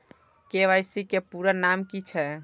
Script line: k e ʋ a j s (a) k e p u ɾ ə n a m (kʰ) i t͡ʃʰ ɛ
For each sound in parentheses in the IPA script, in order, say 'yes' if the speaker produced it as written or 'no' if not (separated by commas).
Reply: no, no